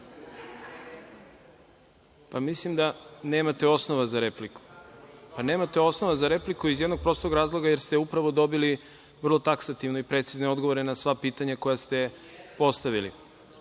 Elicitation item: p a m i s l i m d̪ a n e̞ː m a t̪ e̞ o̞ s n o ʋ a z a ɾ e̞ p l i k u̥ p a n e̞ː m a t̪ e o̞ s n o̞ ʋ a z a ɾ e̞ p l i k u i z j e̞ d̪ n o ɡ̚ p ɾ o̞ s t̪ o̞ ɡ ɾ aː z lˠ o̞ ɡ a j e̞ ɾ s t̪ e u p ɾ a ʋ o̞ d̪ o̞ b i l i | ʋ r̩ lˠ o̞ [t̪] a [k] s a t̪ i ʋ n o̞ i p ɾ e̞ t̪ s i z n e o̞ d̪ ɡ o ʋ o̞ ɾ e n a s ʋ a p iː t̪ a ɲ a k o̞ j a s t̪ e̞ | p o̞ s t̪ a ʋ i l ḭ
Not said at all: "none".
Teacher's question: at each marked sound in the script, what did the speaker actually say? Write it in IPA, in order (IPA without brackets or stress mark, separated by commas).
t̪, k